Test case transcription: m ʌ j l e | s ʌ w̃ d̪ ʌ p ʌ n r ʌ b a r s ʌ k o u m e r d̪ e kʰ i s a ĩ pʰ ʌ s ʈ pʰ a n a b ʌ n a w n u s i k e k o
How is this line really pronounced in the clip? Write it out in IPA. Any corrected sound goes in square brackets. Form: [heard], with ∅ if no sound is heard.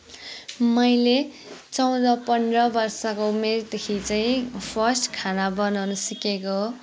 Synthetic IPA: m ʌ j l e | [t͡s] ʌ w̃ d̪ ʌ p ʌ n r ʌ b [ʌ] r s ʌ k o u m e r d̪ e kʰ i [t͡s] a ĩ pʰ ʌ s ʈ [kʰ] a n a b ʌ n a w n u s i k e k o